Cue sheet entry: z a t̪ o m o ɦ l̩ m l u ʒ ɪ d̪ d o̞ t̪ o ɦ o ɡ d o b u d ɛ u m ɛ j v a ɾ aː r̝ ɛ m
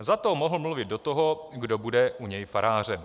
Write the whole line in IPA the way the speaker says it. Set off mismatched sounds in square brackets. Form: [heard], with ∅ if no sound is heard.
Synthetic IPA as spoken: z a t̪ o m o ɦ l̩ m l u [v] ɪ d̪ d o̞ t̪ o ɦ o ɡ d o b u d ɛ u [ɲ] ɛ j [f] a ɾ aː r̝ ɛ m